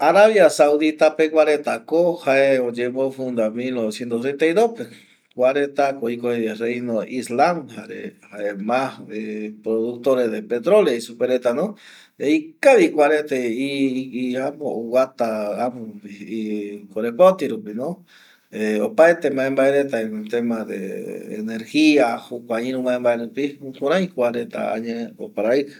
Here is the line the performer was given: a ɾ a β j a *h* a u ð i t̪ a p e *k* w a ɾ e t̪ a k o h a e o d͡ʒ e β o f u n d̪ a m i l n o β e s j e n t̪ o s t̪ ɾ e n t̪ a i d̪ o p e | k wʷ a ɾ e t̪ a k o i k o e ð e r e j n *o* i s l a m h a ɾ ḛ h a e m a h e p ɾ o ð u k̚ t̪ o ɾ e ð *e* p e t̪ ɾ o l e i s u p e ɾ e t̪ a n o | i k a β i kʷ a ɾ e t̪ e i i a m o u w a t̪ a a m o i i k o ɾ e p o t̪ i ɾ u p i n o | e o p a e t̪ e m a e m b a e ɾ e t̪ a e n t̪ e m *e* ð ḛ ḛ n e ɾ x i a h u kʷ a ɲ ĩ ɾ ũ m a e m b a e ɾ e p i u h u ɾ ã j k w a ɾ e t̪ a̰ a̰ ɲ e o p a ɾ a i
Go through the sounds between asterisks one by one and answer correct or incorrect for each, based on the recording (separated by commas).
incorrect, correct, correct, correct, incorrect